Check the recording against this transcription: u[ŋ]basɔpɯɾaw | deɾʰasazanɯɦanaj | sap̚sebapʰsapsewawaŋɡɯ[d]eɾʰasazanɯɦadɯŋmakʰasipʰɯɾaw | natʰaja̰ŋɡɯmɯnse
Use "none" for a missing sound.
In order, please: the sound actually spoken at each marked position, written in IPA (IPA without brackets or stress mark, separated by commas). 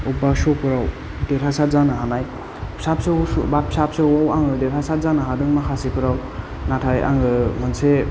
none, d